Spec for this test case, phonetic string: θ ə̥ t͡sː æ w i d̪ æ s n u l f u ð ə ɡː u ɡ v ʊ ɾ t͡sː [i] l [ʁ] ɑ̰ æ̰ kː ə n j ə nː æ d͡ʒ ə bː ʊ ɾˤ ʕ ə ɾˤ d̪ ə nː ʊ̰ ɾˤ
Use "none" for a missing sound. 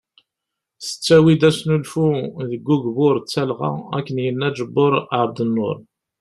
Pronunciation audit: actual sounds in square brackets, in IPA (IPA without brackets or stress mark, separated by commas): æ, ʁ